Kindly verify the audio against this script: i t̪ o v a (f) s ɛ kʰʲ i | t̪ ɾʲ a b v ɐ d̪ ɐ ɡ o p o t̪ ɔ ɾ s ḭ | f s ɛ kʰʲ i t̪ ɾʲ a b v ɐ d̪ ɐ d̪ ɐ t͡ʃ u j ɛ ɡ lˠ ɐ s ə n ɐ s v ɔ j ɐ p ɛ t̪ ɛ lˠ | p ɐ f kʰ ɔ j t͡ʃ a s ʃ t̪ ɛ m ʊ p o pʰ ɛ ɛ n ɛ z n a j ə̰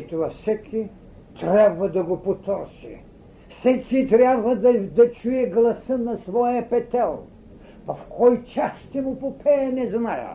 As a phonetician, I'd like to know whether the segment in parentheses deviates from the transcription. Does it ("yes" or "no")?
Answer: no